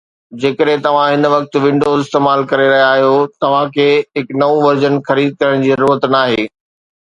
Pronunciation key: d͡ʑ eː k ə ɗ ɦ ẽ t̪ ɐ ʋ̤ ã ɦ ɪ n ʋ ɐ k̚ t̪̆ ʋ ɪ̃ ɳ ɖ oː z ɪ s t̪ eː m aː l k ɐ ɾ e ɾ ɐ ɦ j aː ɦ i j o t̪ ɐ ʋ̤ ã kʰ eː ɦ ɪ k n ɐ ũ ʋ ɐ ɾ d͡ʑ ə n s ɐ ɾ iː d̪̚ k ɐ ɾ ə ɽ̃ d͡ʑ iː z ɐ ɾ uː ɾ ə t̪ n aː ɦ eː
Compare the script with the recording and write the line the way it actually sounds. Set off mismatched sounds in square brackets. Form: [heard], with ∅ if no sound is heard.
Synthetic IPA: d͡ʑ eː k ə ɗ ɦ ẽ t̪ ɐ ʋ̤ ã ɦ ɪ n ʋ ɐ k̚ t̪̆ ʋ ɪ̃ ɳ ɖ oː z ɪ s t̪ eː m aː l k ɐ ɾ e ɾ ɐ ɦ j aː ɦ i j o t̪ ɐ ʋ̤ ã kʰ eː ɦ ɪ k n ɐ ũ ʋ ɐ ɾ d͡ʑ ə n [x] ɐ ɾ iː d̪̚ k ɐ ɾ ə ɽ̃ d͡ʑ iː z ɐ ɾ uː ɾ ə t̪ n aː ɦ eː